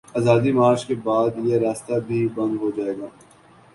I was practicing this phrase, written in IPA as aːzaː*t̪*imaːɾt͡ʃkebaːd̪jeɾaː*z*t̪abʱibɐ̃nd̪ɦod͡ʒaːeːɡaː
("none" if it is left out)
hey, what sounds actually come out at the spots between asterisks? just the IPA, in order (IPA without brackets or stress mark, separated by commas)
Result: d̪, s